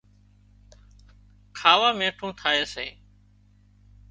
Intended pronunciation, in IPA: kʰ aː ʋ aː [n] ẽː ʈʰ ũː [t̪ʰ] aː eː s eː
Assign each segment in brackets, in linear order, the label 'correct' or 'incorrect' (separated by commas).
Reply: incorrect, correct